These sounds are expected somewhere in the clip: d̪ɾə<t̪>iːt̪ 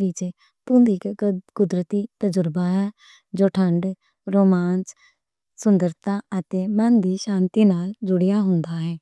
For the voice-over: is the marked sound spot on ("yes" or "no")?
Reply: yes